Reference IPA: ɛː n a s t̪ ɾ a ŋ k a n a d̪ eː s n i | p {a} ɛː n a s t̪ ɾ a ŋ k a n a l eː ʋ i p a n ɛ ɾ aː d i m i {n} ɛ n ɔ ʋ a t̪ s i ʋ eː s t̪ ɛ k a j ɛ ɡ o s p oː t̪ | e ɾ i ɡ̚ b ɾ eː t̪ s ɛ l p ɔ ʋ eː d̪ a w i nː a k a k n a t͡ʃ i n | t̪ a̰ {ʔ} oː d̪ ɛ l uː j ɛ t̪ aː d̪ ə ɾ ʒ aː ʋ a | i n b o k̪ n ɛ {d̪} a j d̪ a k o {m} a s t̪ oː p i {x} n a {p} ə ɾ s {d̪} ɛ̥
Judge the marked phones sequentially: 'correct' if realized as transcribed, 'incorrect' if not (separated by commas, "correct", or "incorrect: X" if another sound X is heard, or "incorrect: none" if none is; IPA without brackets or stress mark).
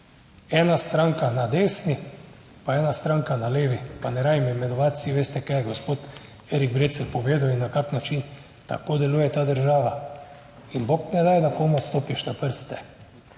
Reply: correct, incorrect: m, incorrect: k, correct, correct, incorrect: ʃ, correct, incorrect: t̪